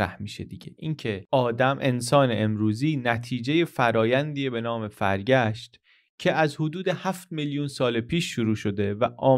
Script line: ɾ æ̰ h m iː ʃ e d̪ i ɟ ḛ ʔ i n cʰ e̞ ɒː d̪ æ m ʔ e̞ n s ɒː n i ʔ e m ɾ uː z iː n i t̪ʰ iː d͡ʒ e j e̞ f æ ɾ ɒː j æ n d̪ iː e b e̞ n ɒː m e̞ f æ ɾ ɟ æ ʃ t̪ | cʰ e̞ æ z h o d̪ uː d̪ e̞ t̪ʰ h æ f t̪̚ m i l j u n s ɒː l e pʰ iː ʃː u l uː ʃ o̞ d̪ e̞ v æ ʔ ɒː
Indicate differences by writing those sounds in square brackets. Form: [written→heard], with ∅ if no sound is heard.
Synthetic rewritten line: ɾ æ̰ h m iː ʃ e d̪ i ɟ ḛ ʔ i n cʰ e̞ ɒː d̪ æ m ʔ e̞ n s ɒː n [i→e] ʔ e m ɾ uː z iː n [i→æ] t̪ʰ iː d͡ʒ e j e̞ f æ ɾ ɒː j æ n d̪ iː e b e̞ n ɒː m e̞ f æ ɾ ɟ æ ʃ t̪ | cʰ e̞ æ z h o d̪ uː d̪ e̞ [t̪ʰ→∅] h æ f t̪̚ m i l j u n s ɒː l e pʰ iː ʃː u [l→ɾ] uː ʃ o̞ d̪ e̞ v æ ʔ ɒː